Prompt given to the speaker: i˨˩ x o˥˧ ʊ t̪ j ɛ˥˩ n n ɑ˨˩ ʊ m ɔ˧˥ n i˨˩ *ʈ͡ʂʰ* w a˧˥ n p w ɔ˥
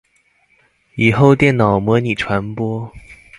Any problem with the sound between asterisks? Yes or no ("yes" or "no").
no